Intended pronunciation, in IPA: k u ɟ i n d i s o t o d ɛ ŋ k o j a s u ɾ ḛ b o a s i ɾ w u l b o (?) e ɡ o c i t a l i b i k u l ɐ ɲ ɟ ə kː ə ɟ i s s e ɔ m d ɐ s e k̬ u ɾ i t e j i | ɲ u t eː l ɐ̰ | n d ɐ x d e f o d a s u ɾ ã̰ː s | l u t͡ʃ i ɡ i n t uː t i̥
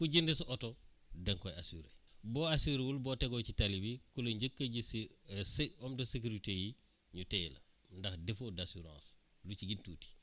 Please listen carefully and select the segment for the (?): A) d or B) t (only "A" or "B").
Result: B